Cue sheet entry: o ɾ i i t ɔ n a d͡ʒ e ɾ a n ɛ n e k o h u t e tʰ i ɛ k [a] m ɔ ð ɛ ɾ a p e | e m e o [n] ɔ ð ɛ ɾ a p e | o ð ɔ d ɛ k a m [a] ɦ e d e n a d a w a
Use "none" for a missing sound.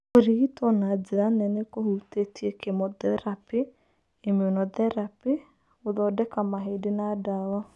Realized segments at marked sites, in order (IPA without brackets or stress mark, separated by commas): e, n, a